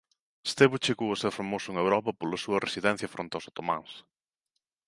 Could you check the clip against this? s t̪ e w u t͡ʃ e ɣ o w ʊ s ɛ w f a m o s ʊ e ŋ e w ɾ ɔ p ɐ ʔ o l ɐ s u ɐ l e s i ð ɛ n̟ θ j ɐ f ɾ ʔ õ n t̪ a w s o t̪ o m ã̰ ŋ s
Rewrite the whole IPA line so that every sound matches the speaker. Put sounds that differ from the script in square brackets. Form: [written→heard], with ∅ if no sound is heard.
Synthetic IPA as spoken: s t̪ e [w→β] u t͡ʃ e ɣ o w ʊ s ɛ w f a m o s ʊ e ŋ e w ɾ ɔ p ɐ [ʔ→p] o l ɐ s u ɐ [l→r] e s i ð ɛ n̟ θ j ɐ f ɾ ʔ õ n t̪ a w s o t̪ o m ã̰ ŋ s